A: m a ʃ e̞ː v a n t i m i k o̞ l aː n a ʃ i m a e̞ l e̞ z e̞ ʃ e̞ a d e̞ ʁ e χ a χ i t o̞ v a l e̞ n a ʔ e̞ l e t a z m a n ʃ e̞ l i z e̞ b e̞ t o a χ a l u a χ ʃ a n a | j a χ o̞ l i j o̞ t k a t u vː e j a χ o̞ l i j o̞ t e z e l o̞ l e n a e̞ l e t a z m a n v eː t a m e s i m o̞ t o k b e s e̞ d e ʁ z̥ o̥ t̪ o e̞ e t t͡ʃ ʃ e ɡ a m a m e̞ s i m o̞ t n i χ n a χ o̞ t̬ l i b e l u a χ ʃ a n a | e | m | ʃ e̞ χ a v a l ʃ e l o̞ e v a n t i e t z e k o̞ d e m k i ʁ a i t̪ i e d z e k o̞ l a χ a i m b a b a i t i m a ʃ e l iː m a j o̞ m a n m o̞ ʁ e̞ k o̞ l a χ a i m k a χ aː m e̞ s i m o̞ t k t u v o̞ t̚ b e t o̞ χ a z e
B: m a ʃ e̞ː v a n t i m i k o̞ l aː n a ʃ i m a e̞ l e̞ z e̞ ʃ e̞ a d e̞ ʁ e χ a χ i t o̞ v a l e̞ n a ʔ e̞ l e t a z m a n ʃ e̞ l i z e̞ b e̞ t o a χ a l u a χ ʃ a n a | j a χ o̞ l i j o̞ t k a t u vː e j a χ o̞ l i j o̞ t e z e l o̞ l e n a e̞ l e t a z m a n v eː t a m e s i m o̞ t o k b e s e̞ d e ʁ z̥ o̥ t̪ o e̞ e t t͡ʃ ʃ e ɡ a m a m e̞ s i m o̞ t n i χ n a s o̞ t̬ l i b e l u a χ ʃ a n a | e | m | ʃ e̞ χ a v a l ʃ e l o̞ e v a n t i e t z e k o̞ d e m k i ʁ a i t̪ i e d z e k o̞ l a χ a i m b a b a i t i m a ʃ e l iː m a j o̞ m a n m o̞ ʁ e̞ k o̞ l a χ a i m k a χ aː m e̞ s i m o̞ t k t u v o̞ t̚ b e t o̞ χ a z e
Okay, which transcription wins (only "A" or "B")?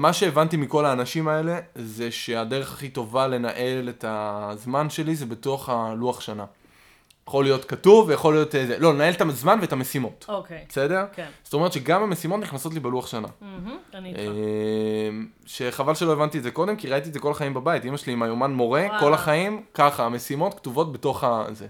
B